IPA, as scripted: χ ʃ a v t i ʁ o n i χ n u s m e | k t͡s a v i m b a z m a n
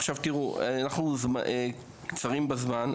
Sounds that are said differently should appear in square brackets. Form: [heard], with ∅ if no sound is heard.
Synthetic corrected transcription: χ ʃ a v t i ʁ [u] n [a] χ n u [z] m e | k t͡s a [ʁ] i m b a z m a n